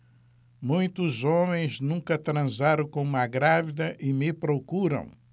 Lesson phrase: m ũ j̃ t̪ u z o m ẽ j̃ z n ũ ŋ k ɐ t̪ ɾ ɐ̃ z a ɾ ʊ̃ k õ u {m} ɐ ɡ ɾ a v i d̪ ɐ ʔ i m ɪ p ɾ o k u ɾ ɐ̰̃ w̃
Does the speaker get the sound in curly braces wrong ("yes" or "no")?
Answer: no